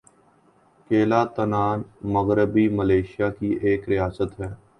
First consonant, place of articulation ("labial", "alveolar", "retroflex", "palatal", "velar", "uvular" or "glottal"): velar